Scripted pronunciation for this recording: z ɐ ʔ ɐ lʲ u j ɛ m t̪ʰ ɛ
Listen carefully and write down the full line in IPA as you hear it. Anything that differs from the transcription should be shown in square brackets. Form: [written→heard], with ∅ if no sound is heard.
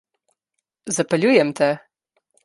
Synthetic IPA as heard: z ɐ [ʔ→p] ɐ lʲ u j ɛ m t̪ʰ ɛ